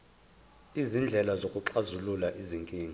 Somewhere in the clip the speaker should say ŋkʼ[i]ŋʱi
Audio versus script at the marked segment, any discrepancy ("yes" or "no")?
yes